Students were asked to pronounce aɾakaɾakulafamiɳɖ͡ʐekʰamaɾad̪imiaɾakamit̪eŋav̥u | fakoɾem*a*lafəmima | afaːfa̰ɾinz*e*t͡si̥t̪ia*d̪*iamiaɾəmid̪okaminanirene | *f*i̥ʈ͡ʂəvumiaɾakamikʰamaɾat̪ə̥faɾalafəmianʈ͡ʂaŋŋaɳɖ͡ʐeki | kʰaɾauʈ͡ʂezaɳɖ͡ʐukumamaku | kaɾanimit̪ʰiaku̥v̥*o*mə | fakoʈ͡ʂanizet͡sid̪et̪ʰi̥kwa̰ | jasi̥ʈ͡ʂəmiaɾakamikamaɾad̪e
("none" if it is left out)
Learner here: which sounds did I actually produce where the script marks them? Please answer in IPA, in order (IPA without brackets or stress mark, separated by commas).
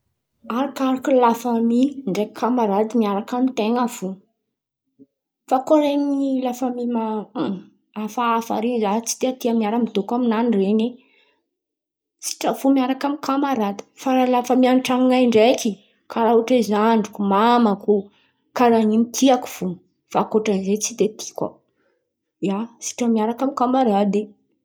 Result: i, a, t̪, s, u